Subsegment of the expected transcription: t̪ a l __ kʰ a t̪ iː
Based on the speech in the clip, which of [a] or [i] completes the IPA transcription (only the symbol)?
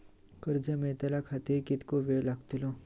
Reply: a